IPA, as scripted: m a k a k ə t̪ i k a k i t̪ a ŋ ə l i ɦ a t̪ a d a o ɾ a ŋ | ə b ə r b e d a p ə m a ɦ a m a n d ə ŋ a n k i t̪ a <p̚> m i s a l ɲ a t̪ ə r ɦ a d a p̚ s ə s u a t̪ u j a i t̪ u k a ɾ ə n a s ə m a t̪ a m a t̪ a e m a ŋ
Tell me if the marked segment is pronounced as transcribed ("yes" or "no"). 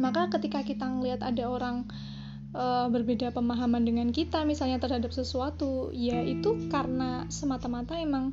no